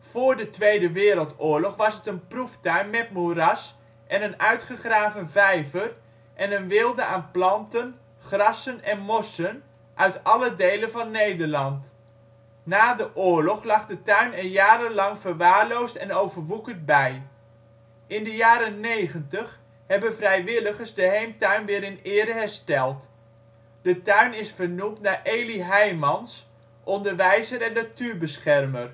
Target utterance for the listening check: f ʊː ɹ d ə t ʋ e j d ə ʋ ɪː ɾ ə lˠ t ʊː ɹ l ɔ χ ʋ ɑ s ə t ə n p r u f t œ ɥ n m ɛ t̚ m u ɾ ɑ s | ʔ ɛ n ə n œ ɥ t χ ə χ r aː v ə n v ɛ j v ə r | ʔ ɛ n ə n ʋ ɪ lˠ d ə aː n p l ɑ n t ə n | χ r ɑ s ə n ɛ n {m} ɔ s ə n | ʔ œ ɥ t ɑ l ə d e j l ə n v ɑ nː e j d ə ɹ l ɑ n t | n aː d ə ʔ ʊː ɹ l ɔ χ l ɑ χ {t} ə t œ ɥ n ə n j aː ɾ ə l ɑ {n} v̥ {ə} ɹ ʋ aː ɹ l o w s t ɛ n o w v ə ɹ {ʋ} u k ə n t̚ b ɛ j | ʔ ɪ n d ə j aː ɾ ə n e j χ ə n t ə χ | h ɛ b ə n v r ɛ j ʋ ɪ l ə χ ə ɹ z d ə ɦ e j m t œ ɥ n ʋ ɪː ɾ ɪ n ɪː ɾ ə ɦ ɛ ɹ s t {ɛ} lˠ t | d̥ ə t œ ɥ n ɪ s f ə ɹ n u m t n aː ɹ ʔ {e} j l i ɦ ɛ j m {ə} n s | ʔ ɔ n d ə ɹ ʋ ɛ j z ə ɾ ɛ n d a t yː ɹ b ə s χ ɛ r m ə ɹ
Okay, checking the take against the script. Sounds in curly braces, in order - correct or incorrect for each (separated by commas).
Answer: correct, incorrect, incorrect, correct, correct, correct, correct, incorrect